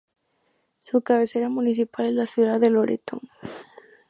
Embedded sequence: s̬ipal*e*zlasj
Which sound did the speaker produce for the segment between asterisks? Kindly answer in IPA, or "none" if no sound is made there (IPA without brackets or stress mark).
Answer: e